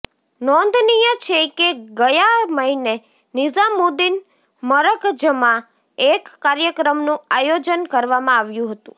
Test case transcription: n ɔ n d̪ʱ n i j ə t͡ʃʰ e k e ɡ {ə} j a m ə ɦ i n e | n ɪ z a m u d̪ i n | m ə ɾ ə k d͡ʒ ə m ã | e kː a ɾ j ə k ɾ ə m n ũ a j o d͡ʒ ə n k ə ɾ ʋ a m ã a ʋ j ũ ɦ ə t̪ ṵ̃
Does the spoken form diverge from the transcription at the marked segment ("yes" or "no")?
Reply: no